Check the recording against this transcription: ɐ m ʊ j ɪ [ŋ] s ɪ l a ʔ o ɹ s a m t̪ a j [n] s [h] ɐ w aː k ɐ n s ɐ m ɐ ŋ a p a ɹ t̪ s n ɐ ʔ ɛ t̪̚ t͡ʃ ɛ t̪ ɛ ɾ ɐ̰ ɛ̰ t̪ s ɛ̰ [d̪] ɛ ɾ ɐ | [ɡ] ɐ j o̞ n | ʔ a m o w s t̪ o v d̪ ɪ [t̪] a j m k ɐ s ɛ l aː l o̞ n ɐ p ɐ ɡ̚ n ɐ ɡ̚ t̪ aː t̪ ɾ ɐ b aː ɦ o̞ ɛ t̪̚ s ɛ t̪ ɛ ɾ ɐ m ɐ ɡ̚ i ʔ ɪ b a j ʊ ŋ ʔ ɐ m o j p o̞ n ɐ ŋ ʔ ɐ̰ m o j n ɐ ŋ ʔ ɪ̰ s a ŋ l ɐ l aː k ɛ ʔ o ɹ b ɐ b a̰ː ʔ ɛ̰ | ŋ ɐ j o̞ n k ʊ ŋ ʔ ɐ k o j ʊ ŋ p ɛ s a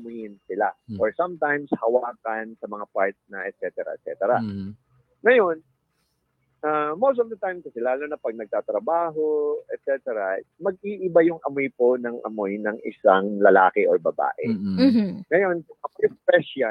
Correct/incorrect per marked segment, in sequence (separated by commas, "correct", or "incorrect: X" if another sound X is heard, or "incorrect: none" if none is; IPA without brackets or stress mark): incorrect: n, incorrect: m, correct, incorrect: t̪, incorrect: ŋ, correct